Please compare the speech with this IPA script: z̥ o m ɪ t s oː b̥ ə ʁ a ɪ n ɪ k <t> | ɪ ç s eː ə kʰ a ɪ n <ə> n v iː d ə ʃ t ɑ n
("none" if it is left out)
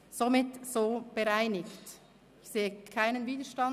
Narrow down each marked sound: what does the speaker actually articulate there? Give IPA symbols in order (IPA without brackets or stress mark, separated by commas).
t, ə